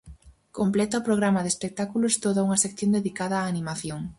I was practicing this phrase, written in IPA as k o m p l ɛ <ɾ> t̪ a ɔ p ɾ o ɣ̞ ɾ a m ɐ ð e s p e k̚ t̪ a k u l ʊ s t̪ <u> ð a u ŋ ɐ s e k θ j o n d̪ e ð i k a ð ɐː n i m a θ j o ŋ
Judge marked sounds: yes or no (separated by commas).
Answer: no, no